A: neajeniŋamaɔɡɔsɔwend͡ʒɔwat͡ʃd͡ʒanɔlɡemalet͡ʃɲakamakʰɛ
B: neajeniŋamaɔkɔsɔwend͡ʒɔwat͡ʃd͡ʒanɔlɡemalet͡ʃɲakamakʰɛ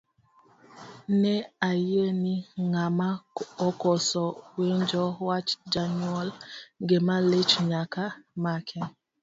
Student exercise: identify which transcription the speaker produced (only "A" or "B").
B